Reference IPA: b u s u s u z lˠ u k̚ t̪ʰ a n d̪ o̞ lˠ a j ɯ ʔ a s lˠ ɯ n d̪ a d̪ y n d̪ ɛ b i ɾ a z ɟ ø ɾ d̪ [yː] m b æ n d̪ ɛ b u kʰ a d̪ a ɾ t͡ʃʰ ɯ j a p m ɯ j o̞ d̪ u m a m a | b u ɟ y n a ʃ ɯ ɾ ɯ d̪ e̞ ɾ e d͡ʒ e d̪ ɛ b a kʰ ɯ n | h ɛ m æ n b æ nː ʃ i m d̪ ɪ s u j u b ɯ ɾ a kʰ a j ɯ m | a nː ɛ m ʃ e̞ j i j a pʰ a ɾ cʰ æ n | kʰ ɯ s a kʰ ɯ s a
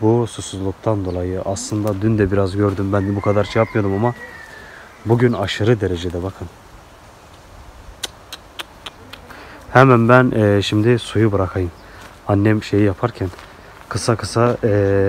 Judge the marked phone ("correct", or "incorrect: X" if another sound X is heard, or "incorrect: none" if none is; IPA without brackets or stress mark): incorrect: y